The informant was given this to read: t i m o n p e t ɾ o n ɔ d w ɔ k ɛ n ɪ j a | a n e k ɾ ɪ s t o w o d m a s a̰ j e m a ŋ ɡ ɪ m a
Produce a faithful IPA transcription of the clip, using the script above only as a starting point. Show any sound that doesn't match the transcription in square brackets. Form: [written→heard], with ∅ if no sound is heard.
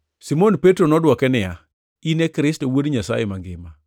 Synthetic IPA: [t→s] i m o n p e t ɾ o n ɔ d w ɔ k ɛ n ɪ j a | [a→i] n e k ɾ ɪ s t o w o d [m→ɲ] a s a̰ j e m a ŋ ɡ ɪ m a